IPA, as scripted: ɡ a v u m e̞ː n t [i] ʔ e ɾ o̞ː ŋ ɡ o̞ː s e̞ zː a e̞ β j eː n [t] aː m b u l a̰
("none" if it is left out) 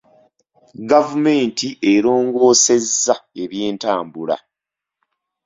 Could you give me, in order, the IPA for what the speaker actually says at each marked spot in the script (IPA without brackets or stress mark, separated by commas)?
i, t